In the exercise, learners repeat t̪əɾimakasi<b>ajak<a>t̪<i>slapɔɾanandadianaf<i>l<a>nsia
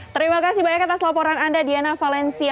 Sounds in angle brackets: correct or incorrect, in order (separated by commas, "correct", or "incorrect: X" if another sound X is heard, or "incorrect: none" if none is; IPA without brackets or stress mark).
correct, correct, incorrect: a, incorrect: a, incorrect: ɛ